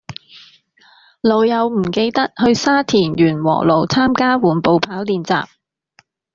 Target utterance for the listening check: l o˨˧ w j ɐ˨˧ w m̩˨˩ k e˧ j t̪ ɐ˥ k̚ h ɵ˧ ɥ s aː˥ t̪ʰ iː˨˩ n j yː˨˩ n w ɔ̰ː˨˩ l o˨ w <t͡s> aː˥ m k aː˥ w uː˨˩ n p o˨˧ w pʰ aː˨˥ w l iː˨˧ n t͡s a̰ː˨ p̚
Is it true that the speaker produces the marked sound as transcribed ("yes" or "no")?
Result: no